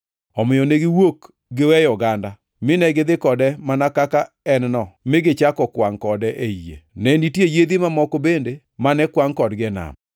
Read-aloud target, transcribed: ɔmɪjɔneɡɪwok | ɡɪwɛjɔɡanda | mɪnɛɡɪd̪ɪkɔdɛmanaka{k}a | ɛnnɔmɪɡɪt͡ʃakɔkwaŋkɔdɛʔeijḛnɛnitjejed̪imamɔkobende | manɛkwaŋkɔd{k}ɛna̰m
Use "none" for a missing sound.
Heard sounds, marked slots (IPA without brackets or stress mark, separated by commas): k, ɡ